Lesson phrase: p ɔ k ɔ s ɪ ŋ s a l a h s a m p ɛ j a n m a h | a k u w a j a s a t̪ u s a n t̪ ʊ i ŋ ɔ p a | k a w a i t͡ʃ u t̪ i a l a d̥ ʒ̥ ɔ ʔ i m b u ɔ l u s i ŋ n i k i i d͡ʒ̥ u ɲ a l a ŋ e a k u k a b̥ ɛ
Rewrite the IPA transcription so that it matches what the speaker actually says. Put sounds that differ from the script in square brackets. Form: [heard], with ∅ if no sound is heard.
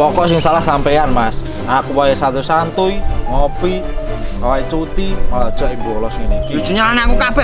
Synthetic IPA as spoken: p ɔ k ɔ s ɪ ŋ s a l a h s a m p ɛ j a n m a [s] | a k u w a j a s a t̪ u s a n t̪ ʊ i ŋ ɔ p [i] | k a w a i t͡ʃ u t̪ i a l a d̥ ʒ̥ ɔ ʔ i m b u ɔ l [ɔ] s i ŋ n i k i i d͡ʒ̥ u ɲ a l a [n] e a k u k a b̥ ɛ